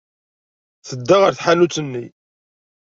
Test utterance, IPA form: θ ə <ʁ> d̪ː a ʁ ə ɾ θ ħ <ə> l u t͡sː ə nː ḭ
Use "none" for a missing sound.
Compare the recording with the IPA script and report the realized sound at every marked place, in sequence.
none, a

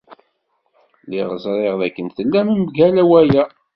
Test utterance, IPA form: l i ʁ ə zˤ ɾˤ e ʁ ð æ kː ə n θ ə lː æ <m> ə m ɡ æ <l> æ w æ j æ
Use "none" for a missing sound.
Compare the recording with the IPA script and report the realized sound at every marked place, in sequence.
m, l

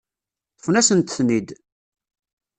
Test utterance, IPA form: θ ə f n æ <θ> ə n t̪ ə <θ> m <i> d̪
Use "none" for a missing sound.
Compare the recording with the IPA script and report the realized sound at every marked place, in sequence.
s, θ, i

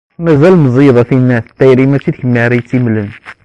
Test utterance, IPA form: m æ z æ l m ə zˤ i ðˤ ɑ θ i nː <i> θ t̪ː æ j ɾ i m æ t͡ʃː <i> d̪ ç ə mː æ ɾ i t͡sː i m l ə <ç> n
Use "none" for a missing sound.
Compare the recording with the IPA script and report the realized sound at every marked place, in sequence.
æ, i, none

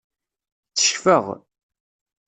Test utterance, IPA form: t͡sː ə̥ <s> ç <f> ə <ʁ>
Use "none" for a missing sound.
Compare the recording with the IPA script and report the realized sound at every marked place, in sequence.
ʃ, f, ʁ

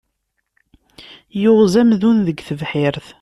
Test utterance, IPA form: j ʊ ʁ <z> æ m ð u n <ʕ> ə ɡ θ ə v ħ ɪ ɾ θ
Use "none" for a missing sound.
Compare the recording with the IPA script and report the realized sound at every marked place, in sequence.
z, ð

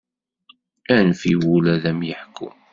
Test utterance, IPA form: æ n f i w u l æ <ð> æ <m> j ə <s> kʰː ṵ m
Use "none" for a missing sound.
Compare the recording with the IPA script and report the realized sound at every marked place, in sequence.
ð, m, ħ

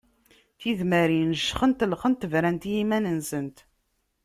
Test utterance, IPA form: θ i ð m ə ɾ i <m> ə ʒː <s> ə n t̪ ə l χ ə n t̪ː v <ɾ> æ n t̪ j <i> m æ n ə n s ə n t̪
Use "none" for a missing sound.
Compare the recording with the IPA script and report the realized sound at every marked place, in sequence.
n, χ, ɾ, i

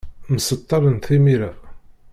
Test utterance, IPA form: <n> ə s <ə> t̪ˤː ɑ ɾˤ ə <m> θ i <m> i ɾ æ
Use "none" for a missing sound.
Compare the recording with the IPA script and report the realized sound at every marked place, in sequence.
m, ə, n, m

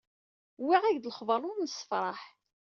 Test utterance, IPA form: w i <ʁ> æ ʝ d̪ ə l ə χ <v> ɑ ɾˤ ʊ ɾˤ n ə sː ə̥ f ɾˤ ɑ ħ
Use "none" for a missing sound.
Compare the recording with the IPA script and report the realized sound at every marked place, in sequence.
ʁ, v

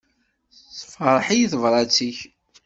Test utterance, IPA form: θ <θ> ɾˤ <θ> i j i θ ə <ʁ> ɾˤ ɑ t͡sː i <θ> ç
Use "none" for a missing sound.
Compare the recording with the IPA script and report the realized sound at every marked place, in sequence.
f, ħ, v, none

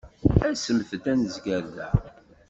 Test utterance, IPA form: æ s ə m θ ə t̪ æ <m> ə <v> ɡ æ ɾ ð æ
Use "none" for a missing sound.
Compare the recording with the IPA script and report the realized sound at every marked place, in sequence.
n, z

